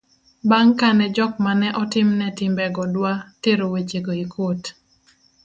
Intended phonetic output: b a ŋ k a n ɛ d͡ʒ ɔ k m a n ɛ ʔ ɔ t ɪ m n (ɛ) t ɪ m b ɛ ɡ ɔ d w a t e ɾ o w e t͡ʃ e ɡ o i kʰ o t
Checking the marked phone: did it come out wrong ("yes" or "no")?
no